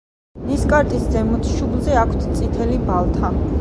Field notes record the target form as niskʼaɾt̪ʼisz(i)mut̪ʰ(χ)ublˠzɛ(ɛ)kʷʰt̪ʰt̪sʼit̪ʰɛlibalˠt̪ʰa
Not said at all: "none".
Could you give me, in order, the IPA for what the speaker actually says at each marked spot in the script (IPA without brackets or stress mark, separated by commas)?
ɛ, ʃ, a